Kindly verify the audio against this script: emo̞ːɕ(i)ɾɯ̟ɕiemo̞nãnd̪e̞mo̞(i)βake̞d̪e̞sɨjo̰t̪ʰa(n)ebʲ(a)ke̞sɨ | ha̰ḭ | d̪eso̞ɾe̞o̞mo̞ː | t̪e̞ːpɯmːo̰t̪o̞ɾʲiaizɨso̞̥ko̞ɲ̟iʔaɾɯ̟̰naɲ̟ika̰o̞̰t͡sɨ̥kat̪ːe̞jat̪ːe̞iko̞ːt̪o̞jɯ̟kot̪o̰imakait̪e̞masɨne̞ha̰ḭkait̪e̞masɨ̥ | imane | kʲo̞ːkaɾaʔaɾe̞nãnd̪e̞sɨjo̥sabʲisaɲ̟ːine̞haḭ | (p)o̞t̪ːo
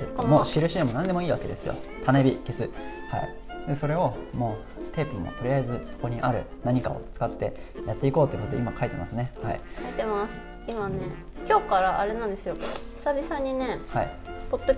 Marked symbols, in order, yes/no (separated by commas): yes, no, yes, no, yes